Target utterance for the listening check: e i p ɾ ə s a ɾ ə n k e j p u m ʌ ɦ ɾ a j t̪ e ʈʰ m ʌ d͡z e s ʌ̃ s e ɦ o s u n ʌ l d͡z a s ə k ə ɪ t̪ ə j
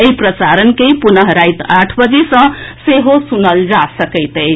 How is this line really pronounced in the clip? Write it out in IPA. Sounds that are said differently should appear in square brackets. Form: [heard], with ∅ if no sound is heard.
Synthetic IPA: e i p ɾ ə s a ɾ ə n k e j p u [n] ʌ ɦ ɾ a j t̪ [a] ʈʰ [b] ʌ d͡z e s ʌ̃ s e ɦ o s u n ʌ l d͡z a s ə k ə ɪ t̪ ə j